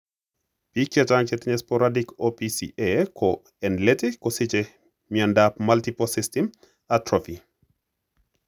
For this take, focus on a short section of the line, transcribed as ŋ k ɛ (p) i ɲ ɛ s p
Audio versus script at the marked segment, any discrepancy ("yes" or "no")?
yes